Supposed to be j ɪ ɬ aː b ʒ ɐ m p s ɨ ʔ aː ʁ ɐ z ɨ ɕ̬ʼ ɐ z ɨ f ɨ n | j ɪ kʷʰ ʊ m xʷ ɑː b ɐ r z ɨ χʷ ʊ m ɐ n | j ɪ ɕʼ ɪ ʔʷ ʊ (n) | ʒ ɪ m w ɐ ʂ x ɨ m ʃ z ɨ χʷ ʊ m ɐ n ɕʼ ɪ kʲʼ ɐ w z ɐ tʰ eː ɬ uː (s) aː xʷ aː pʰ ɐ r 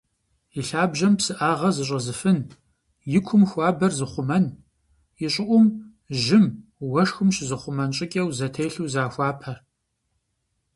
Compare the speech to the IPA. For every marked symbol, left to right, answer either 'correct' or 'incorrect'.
incorrect, incorrect

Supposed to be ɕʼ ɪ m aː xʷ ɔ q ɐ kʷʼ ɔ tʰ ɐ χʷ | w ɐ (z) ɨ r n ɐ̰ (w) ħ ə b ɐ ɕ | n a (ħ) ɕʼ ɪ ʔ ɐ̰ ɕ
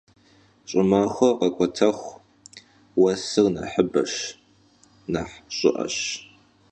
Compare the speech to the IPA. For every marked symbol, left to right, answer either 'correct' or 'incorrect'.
incorrect, incorrect, correct

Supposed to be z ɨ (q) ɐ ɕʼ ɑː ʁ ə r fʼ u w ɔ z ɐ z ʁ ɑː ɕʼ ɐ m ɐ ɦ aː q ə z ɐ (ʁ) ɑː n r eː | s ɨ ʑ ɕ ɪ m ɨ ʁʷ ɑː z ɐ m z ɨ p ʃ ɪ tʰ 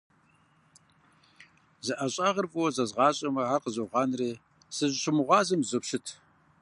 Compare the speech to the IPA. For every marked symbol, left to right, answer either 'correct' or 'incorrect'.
incorrect, correct

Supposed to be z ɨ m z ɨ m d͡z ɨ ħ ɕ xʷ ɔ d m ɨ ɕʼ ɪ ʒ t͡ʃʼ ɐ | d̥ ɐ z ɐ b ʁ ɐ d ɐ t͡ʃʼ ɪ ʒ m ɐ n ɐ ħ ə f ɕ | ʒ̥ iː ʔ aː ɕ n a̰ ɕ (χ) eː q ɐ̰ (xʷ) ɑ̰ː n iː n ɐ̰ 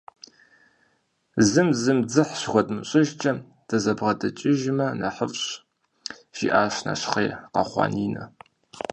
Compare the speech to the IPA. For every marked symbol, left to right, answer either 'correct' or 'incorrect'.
correct, incorrect

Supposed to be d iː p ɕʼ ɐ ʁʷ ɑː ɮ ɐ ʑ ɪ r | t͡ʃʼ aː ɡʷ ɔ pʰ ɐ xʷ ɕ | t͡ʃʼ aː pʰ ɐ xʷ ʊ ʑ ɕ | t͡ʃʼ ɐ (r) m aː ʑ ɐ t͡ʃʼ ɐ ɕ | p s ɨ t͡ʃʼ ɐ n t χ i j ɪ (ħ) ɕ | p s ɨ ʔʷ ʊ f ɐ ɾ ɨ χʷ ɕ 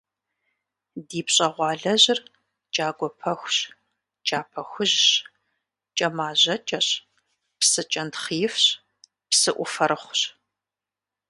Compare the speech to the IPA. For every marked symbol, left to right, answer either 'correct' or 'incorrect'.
incorrect, incorrect

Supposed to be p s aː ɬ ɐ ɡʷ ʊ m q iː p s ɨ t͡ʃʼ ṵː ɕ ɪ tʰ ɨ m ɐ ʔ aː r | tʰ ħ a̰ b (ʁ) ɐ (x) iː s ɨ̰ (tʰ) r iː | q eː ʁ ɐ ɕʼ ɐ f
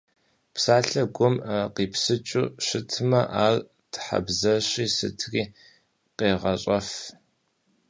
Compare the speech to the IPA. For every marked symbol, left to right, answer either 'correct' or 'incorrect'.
incorrect, incorrect, correct

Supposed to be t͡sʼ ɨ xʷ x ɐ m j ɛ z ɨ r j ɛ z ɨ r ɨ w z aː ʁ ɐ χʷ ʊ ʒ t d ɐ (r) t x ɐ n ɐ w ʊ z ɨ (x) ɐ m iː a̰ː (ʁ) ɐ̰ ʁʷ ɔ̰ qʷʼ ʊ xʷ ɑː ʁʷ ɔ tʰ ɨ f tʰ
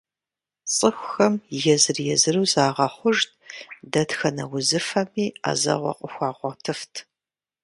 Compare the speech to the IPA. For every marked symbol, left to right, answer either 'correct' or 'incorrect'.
incorrect, incorrect, incorrect

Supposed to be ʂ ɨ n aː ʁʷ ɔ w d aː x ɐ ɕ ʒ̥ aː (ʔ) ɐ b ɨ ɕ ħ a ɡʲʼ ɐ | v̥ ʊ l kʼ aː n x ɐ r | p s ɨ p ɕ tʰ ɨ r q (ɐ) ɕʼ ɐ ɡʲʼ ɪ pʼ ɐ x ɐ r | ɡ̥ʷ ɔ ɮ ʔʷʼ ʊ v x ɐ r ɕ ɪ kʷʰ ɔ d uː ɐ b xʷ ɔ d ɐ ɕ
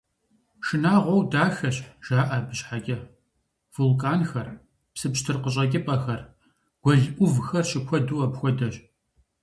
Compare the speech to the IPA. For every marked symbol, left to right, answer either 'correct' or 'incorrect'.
correct, incorrect

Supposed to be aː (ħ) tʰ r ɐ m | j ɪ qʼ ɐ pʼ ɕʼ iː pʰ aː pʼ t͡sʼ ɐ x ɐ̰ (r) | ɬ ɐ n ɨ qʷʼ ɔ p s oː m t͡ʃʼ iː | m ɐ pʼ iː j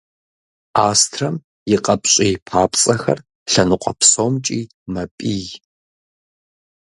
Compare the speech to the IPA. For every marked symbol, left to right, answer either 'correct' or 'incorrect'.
incorrect, correct

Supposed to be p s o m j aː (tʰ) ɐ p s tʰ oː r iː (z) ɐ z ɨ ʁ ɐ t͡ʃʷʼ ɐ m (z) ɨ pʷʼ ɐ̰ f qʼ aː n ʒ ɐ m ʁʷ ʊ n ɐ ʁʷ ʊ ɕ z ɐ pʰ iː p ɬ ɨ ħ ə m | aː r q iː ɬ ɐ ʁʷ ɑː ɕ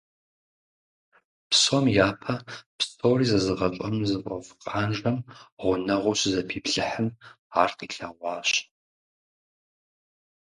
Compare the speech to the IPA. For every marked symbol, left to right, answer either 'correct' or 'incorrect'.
incorrect, correct, correct

